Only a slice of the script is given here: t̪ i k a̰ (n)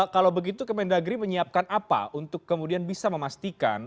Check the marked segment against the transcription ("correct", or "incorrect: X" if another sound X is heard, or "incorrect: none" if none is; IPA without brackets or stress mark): correct